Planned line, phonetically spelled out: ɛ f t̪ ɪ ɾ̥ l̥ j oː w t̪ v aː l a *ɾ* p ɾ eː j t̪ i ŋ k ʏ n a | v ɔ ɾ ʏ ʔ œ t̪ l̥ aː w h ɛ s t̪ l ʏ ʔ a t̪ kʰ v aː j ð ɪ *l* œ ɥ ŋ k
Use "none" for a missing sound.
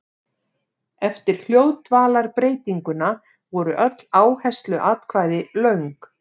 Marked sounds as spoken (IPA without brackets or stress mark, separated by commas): ɾ, l